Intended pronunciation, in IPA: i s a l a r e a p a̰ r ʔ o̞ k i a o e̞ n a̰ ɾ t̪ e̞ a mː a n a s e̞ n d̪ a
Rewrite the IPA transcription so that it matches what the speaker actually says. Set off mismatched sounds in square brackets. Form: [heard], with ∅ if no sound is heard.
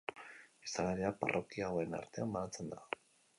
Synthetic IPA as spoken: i s a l a [ɾ] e a p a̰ r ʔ o̞ k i a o e̞ n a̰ ɾ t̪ e̞ a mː a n a [t͡s] e̞ n d̪ a